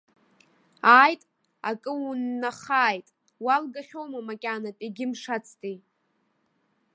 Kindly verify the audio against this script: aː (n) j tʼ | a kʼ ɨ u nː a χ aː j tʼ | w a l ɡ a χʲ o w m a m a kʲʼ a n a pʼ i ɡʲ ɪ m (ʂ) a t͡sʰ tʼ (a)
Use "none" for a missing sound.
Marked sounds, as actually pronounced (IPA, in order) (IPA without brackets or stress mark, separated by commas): none, ʂ, i